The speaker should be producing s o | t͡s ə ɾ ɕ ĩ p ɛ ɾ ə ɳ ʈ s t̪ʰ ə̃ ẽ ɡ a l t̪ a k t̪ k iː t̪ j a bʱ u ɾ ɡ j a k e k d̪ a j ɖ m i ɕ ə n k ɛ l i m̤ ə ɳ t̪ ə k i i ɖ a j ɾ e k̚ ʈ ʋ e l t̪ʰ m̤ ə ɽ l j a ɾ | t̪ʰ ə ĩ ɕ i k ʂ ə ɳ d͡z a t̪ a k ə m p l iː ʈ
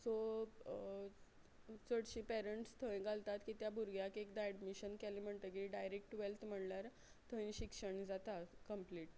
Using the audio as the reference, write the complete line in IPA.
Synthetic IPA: s o | t͡s ə ɽ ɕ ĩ p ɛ ɾ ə ɳ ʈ s t̪ʰ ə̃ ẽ ɡ a l t̪ a t̪ k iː t̪ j a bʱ u ɾ ɡ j a k e k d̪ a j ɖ m i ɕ ə n k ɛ l i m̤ ə ɳ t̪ ə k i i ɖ a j ɾ e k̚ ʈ ʋ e l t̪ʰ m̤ ə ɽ l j a ɾ | t̪ʰ ə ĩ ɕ i k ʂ ə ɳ d͡z a t̪ a k ə m p l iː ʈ